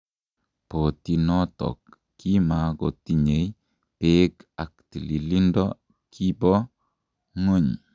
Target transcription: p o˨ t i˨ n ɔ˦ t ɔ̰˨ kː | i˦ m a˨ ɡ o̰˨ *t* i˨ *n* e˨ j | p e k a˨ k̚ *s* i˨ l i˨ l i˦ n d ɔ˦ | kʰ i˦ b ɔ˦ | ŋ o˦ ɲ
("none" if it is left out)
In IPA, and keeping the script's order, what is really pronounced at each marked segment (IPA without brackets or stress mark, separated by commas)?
t, ɲ, t